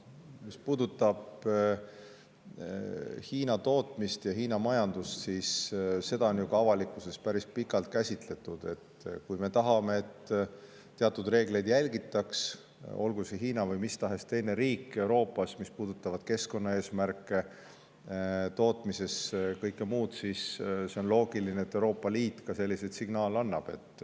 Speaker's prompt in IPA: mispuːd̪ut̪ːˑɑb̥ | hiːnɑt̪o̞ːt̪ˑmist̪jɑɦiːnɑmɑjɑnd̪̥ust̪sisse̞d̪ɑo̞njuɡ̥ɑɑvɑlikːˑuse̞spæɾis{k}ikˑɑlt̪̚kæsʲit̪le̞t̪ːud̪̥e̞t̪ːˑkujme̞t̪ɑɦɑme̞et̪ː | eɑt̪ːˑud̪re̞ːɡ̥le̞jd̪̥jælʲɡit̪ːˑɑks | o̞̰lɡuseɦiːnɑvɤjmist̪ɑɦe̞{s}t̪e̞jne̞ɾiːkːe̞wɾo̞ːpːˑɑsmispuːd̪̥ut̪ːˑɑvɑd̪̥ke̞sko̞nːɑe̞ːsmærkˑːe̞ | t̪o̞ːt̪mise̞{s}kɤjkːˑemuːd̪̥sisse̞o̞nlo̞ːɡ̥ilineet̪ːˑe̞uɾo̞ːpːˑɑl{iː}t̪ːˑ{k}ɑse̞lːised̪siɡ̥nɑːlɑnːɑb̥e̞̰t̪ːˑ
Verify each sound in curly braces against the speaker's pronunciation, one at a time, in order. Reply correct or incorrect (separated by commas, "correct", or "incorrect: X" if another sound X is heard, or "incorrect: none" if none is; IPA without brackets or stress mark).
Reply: incorrect: p, correct, correct, correct, correct